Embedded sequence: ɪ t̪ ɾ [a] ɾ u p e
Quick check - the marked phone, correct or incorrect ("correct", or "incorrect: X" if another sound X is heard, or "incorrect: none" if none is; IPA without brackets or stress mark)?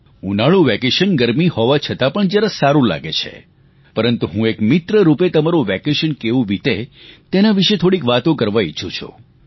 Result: incorrect: ə